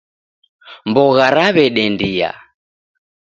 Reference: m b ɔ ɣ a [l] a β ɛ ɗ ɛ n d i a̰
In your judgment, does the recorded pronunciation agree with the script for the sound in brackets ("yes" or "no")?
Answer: no